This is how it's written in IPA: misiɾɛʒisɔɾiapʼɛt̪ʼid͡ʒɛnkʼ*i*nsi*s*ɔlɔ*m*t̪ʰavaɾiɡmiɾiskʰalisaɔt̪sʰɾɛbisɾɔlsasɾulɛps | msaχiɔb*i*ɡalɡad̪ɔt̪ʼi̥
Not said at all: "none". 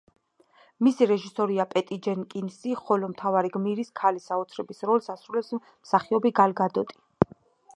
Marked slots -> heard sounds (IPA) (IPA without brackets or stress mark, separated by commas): i, χ, m, i